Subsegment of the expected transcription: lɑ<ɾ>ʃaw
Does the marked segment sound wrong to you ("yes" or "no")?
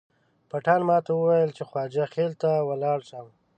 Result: yes